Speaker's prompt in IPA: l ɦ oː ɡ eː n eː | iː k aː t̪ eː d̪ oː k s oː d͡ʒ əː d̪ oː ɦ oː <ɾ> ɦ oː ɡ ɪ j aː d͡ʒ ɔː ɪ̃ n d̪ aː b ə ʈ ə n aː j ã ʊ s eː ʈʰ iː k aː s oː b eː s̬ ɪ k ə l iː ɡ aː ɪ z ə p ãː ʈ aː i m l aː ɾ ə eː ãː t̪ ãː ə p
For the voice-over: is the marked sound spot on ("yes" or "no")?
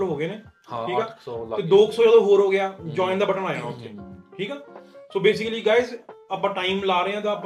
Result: yes